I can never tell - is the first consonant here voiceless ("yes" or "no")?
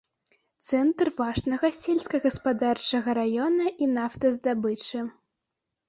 yes